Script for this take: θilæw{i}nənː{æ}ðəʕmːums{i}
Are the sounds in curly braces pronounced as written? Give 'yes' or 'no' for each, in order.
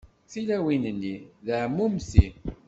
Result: yes, no, yes

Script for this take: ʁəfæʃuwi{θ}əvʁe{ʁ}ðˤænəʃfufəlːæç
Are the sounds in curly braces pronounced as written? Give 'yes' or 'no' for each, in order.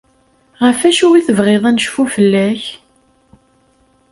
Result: yes, no

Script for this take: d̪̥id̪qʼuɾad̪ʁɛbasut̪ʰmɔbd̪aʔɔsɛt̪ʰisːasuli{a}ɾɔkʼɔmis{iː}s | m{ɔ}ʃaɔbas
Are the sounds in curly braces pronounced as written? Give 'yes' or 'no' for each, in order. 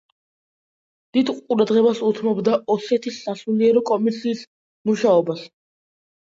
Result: no, yes, no

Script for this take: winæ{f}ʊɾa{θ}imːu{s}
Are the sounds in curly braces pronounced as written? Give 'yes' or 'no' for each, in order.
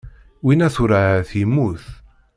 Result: no, yes, no

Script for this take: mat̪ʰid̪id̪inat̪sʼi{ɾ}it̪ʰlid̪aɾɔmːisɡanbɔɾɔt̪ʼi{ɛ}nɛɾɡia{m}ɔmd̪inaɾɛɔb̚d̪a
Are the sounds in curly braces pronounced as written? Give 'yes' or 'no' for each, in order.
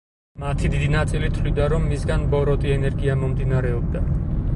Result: no, yes, yes

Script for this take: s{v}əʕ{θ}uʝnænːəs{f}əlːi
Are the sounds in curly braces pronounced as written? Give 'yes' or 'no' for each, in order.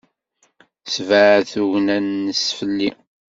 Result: yes, yes, yes

